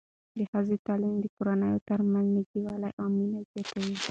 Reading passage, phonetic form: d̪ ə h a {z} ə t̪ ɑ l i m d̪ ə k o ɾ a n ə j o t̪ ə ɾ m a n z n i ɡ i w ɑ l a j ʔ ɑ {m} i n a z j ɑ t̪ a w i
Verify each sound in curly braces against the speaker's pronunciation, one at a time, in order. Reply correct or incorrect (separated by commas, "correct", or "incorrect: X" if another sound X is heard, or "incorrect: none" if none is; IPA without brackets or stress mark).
correct, correct